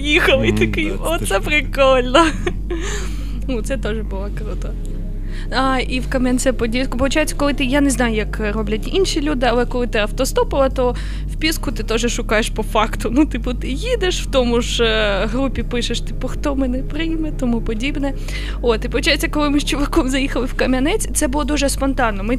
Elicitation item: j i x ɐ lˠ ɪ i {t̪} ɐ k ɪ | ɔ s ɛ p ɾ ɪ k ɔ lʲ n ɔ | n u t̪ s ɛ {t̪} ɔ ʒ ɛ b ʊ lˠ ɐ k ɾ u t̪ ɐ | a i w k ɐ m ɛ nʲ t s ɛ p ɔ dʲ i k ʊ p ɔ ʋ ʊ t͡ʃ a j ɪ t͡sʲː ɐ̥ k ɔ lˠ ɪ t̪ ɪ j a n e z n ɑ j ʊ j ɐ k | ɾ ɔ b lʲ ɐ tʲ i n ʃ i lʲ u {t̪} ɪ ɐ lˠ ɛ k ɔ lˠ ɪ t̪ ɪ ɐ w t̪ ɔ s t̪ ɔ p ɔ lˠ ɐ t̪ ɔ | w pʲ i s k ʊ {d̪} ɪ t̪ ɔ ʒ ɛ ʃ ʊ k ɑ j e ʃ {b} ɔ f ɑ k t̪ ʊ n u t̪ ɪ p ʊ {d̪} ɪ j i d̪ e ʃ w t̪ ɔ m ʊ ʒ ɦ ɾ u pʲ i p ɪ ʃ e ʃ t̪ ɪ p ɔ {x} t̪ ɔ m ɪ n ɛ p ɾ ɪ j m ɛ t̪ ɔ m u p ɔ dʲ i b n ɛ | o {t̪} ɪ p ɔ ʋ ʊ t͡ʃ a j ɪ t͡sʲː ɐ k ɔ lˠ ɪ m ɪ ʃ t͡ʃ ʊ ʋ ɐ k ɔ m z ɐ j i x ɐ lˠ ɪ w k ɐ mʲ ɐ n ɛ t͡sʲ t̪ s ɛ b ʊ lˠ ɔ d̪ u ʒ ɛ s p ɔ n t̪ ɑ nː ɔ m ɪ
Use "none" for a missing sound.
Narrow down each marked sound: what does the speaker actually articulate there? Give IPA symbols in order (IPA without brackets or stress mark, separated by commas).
t̪, t̪, d̪, t̪, p, t̪, x, t̪